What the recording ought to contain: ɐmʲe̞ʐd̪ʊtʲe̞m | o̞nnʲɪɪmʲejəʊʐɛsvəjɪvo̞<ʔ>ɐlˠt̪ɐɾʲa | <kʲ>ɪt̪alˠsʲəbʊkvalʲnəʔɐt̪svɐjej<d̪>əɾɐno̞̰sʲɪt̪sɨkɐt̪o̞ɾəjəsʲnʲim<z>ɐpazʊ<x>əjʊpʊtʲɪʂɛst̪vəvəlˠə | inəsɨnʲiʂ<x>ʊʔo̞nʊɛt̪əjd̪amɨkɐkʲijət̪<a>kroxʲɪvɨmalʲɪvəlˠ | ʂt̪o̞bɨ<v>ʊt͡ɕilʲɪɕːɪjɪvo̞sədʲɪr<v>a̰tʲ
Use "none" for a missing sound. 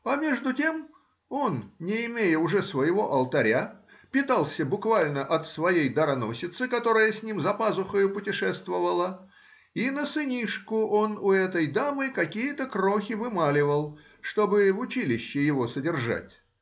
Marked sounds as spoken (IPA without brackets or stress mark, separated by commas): ʔ, pʲ, d̪, z, x, k, ə, v, ʐ